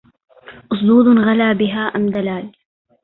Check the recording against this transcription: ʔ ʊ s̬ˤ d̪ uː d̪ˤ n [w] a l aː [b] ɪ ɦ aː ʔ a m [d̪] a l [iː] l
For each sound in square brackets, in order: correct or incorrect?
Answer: incorrect: ɣ, correct, correct, incorrect: aː

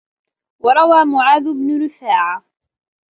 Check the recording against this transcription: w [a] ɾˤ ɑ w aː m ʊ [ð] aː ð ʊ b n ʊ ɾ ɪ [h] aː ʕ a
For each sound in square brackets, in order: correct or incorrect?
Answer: incorrect: ɑ, incorrect: ʕ, incorrect: f

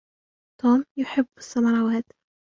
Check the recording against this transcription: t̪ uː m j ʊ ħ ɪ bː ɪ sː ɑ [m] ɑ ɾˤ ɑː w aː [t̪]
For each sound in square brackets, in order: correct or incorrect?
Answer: correct, correct

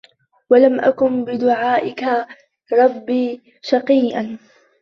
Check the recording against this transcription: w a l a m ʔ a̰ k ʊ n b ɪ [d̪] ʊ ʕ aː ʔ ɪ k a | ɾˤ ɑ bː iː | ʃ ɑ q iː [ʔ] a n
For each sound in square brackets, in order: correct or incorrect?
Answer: correct, correct

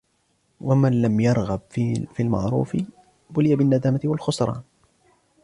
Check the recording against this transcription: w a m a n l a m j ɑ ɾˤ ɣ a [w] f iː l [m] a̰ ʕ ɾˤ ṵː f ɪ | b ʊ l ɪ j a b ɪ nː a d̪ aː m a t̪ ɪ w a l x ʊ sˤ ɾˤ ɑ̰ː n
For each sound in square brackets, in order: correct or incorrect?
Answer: incorrect: b, correct

